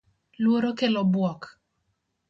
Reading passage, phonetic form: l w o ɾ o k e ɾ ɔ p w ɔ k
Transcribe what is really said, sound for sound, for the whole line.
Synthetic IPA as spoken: l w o ɾ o k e l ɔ b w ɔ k